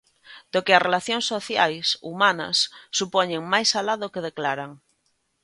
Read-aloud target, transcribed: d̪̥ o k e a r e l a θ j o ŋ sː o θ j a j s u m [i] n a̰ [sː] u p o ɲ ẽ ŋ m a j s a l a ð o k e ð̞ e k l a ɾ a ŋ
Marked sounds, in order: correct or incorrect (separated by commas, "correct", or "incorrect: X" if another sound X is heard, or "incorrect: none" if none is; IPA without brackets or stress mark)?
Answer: incorrect: a, correct